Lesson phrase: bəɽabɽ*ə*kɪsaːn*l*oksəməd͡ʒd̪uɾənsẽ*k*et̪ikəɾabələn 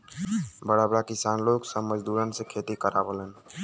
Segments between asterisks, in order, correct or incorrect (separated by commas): incorrect, correct, incorrect